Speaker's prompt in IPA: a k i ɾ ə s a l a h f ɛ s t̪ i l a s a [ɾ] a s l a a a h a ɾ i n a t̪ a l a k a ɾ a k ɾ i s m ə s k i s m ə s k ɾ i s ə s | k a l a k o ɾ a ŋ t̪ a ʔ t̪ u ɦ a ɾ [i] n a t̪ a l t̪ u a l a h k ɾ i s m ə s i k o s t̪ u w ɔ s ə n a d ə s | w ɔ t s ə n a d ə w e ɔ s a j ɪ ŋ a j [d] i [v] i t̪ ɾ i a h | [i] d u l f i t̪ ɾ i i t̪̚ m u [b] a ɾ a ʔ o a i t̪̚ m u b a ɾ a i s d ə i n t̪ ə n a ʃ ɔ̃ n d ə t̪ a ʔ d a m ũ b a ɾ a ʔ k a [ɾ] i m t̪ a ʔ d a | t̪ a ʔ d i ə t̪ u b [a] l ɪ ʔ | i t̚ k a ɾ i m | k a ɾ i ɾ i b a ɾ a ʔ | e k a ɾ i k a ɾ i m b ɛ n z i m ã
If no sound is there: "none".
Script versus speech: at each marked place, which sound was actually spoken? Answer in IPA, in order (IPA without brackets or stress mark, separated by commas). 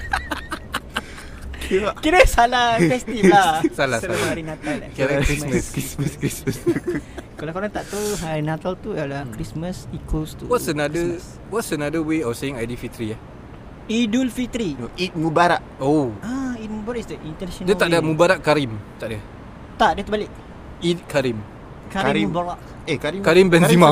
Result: l, i, d, f, i, b, ɾ, a